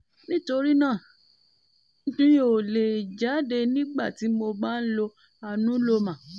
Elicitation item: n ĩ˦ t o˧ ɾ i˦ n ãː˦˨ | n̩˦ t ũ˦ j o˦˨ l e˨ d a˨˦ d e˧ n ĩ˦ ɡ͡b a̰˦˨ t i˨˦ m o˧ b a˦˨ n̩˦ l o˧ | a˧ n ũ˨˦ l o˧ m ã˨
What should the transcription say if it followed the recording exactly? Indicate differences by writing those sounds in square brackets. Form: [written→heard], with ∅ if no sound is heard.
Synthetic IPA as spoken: n ĩ˦ t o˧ ɾ i˦ n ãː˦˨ | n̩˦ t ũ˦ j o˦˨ l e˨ [d→d͡ʒ] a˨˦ d e˧ n ĩ˦ ɡ͡b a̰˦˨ t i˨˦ m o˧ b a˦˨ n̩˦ l o˧ | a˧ n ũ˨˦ l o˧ m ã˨